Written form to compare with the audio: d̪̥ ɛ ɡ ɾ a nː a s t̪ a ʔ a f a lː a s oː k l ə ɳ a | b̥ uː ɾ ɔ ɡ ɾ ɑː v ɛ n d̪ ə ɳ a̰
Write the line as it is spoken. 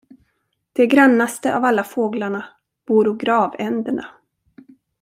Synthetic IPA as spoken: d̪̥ ɛ ɡ ɾ a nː a s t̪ ə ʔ a v a lː a f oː ɡ l a ɳ a | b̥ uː ɾ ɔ ɡ ɾ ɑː v ɛ n d̪ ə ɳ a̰